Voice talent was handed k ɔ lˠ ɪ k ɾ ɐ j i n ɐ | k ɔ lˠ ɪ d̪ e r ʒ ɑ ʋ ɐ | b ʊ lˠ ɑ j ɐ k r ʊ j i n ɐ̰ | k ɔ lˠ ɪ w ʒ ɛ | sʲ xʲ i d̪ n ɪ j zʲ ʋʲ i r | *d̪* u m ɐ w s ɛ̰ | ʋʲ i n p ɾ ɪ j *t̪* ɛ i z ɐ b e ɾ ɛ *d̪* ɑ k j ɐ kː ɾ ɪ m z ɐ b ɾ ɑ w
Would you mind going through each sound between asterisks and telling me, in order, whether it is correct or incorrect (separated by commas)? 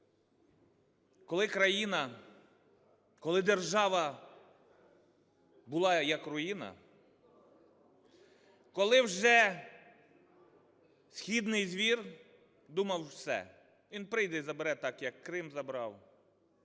correct, incorrect, incorrect